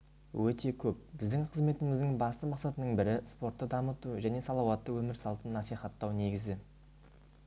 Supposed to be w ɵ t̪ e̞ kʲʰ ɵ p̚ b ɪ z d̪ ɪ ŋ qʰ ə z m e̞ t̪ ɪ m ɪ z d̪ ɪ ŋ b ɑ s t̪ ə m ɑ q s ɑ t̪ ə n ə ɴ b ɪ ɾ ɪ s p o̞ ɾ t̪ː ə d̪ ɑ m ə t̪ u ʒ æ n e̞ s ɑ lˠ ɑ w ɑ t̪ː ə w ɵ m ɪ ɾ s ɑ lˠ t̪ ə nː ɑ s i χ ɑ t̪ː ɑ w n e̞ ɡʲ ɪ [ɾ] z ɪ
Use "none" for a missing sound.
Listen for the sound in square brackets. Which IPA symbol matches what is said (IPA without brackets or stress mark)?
none